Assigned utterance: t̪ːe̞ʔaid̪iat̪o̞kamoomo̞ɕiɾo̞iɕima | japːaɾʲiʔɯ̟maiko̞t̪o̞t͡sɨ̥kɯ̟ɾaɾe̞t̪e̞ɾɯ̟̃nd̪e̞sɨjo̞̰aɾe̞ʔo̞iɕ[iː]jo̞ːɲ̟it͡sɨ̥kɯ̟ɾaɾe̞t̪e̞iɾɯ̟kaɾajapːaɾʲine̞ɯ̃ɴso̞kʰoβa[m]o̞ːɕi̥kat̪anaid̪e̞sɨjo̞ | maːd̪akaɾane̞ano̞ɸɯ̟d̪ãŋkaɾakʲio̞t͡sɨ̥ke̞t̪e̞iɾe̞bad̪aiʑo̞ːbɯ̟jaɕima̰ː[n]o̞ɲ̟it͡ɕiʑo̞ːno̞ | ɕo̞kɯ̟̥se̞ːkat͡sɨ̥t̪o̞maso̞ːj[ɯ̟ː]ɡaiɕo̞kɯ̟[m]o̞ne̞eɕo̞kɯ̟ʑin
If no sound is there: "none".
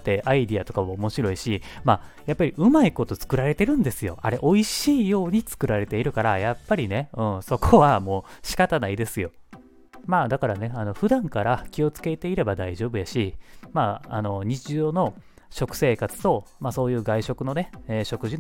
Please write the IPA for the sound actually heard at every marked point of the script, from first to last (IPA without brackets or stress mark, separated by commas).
iː, m, n, ɯ̟ː, n